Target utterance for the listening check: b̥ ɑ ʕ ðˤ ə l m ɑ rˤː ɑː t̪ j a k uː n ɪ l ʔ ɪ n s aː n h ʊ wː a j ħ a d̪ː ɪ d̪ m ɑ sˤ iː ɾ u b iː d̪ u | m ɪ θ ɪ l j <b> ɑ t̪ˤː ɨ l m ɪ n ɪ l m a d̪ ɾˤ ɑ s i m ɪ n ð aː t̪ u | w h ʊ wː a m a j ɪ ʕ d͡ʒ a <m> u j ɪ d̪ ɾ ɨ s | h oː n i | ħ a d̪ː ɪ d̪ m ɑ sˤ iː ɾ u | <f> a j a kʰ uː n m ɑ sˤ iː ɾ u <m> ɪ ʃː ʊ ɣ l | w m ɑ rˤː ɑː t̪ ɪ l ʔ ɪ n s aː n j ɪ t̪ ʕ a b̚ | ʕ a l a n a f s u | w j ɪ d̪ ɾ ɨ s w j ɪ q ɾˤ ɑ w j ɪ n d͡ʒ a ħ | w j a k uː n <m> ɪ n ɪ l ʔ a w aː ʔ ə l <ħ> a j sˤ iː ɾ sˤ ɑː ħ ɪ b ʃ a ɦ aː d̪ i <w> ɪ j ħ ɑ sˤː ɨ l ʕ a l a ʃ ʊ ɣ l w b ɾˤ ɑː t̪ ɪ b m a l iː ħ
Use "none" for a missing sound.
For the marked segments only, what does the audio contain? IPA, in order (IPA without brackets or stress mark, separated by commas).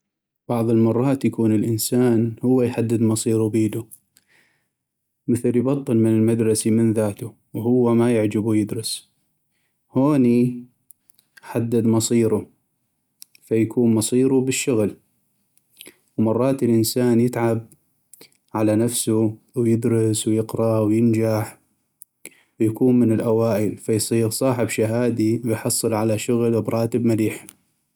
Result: b, b, f, b, m, f, w